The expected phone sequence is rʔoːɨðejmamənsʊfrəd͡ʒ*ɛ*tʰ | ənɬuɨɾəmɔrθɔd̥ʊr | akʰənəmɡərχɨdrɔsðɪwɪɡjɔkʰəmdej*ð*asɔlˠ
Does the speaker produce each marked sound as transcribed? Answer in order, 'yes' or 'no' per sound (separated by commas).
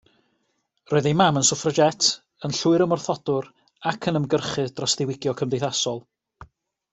yes, no